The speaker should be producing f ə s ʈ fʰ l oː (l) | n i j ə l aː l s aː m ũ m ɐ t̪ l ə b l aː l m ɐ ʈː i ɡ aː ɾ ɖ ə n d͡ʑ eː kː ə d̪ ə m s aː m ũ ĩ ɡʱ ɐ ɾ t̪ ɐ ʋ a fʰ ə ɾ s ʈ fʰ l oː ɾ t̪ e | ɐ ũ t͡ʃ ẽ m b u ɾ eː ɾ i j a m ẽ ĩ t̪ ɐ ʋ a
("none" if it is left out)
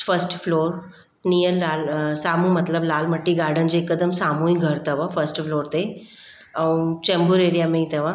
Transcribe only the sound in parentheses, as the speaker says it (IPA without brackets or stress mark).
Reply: ɾ